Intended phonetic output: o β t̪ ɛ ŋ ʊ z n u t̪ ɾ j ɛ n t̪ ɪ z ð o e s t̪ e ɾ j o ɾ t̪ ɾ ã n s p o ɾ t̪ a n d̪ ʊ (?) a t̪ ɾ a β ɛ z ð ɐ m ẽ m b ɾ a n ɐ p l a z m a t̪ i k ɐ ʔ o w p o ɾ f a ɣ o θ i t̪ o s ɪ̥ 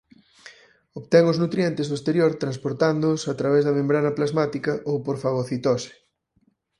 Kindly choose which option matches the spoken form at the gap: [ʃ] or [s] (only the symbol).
s